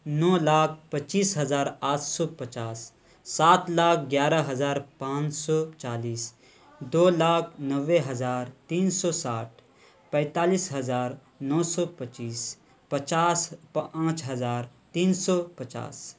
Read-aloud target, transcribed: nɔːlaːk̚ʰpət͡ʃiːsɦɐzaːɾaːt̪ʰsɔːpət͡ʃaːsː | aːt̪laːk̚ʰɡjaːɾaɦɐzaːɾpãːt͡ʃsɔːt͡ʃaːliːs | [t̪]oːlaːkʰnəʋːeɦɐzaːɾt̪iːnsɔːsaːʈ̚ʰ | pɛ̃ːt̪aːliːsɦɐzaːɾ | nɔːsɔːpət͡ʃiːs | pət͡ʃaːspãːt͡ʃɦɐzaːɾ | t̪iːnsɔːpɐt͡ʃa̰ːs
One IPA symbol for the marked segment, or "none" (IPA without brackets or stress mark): d̪